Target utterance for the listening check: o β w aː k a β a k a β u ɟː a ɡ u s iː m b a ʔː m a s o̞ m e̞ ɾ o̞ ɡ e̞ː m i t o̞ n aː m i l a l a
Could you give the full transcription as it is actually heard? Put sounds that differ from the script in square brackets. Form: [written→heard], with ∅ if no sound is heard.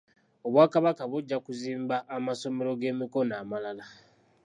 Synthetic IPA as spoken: o β w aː k a β a k a β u ɟː a [ɡ→k] u [s→z] iː m b a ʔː m a s o̞ m e̞ ɾ o̞ ɡ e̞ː m i [t→k] o̞ n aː m [i→a] l a l a